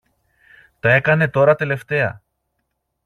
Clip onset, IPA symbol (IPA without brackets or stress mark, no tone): t̪